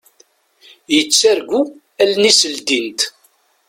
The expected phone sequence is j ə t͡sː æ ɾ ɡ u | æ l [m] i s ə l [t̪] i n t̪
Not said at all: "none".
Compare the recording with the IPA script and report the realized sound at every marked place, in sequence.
n, d̪

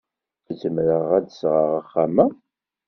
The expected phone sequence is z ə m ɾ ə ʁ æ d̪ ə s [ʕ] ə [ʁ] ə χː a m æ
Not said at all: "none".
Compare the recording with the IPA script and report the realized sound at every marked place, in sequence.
ʁ, ʁ

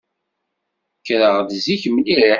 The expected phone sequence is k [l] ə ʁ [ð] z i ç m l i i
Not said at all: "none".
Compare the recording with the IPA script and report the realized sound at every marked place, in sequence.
ɾ, ð

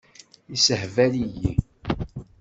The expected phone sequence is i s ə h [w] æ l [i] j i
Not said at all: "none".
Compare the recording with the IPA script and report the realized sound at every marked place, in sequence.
v, i

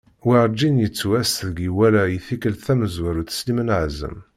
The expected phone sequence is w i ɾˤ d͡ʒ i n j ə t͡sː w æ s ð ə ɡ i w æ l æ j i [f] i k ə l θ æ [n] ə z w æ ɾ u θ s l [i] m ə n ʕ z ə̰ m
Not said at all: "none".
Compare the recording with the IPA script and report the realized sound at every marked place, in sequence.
θ, m, i

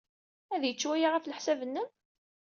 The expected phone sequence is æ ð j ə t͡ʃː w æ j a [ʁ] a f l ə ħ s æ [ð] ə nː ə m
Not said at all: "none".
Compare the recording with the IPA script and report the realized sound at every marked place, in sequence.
ʁ, v

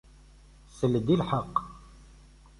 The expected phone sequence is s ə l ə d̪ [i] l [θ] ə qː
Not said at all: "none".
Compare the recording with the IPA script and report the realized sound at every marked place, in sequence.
i, ħ

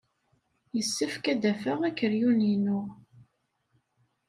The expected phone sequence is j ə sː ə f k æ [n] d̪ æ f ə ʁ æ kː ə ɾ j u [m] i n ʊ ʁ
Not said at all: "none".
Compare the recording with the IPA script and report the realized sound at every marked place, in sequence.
none, n

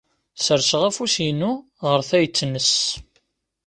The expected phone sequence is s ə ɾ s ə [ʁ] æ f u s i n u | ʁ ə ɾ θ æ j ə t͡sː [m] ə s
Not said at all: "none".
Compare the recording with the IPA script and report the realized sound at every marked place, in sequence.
ʁ, n

